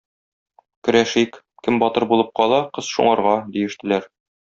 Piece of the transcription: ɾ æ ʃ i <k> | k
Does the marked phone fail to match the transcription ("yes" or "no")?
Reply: no